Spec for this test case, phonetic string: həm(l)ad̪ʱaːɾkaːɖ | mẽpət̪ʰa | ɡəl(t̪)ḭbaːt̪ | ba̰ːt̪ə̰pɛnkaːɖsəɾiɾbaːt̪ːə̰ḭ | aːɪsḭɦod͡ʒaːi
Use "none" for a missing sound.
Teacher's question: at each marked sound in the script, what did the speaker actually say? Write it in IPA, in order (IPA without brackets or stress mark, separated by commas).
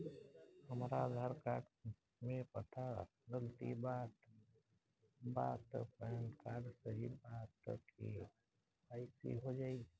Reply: ɾ, t̪